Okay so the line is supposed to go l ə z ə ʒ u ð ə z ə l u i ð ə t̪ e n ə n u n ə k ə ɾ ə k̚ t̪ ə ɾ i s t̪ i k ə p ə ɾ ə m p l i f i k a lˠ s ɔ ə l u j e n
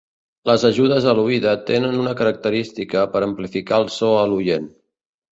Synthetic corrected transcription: l ə z ə ʒ u ð ə z ə l u i ð ə t̪ e n ə n u n ə k ə ɾ ə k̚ t̪ ə ɾ i s t̪ i k ə p ə ɾ ə m p l i f i k a lˠ s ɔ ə l u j e n